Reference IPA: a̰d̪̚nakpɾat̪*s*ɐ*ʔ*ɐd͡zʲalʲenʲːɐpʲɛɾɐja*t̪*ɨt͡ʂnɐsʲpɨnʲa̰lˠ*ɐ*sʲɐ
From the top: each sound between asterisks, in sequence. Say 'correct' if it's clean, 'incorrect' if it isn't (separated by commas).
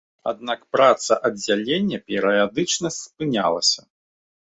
correct, correct, incorrect, correct